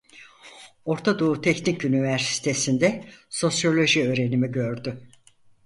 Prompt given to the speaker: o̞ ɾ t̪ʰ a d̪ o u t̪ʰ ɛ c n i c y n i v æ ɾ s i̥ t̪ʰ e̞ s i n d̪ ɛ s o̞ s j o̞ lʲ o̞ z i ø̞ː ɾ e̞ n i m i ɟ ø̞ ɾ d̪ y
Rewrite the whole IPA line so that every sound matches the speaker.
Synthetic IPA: o̞ ɾ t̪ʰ a d̪ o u t̪ʰ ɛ c n i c y n i v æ ɾ s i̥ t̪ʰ e̞ s i n d̪ ɛ s o̞ s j o̞ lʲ o̞ ʒ i ø̞ː ɾ e̞ n i m i ɟ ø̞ ɾ d̪ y